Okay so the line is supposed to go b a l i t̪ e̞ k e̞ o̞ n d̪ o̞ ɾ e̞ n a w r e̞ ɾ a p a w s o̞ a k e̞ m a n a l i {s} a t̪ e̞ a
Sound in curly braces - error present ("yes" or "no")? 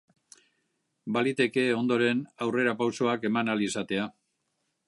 no